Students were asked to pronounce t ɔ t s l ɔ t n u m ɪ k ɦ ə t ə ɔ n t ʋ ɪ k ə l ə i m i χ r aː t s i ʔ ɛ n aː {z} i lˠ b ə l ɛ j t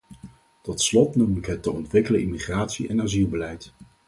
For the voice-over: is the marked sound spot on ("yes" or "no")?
yes